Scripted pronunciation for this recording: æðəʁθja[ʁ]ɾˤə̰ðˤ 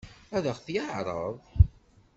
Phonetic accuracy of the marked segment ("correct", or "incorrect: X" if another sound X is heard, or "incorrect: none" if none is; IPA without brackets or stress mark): incorrect: ʕ